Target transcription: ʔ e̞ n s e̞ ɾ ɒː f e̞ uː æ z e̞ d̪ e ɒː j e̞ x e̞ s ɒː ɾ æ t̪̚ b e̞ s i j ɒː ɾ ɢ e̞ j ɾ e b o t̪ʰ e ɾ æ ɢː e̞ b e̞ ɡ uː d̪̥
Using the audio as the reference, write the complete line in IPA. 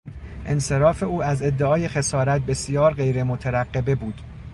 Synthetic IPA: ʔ e̞ n s e̞ ɾ ɒː f e̞ uː æ z e̞ d̪ː e ɒː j e̞ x e̞ s ɒː ɾ æ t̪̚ b e̞ s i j ɒː ɾ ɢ e̞ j ɾ e m o t̪ʰ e ɾ æ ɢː e̞ b e̞ b uː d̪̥